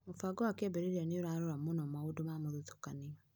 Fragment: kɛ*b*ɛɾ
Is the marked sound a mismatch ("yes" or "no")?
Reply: no